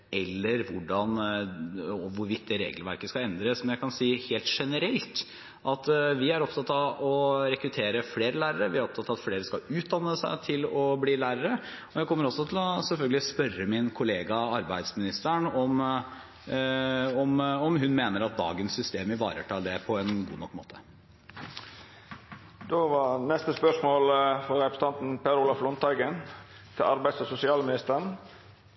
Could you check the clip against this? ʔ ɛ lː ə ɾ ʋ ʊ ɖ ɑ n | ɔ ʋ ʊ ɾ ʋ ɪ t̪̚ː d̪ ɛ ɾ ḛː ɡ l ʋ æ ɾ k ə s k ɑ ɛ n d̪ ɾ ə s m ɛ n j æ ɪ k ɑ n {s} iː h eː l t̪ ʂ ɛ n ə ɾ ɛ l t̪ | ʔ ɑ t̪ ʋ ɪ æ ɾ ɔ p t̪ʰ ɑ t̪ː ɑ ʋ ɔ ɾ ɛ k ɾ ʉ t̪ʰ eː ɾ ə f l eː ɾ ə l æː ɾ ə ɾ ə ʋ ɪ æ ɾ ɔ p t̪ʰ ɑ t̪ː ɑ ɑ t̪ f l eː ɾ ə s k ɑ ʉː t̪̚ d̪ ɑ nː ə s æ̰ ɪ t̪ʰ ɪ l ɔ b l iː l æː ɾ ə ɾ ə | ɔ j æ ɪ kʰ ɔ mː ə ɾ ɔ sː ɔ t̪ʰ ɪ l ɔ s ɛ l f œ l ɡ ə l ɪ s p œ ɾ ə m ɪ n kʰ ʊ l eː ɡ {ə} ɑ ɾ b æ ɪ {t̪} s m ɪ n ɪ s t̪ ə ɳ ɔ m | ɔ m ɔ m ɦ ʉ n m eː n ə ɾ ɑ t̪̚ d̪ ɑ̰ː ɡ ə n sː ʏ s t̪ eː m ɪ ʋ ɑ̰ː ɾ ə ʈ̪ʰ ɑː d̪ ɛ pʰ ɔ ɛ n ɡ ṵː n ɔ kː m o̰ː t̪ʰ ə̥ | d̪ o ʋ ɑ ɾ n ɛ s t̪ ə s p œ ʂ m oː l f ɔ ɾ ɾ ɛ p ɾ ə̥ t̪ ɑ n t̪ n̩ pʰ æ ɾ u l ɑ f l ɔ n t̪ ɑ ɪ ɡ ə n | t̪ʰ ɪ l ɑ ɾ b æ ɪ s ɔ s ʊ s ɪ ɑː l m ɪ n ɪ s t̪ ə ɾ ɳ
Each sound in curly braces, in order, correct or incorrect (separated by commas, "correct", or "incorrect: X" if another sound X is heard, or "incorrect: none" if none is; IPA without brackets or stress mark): correct, incorrect: ɑ, incorrect: d̪